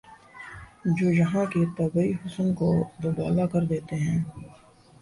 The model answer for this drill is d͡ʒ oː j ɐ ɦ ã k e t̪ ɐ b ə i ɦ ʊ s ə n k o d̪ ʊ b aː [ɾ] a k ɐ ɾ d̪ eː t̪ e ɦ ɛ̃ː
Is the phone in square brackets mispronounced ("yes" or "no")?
yes